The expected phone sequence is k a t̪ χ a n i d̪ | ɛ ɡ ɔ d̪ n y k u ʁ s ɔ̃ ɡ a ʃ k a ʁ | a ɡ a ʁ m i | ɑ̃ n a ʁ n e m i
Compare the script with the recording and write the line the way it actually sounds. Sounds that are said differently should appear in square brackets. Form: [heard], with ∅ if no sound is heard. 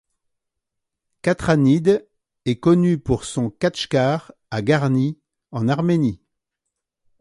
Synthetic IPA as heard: k a t̪ χ a n i d̪ | ɛ [k] ɔ [∅] n y [p] u ʁ s ɔ̃ [k] a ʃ k a ʁ | a ɡ a ʁ [n] i | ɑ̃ n a ʁ [m] e [n] i